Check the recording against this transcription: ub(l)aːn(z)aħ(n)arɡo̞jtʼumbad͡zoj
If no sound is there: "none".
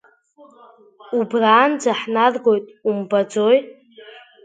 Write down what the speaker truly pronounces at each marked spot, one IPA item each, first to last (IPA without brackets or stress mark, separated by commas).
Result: r, d͡z, n